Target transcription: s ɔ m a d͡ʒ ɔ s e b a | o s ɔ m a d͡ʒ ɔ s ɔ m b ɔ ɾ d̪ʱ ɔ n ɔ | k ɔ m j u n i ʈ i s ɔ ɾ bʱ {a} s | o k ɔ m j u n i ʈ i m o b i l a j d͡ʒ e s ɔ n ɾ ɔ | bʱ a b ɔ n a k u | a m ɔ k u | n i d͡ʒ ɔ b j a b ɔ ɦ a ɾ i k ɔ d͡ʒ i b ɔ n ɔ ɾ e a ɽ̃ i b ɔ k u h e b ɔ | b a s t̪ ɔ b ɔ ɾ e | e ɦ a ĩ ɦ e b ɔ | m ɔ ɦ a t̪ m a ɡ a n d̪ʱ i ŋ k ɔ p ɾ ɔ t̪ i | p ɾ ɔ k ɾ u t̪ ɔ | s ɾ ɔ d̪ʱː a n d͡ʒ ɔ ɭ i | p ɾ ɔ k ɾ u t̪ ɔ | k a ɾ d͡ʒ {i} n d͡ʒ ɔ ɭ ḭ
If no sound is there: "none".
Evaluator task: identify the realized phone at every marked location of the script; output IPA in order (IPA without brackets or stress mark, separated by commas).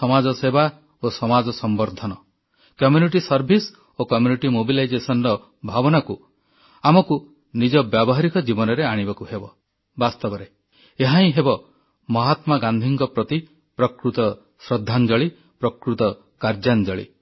i, a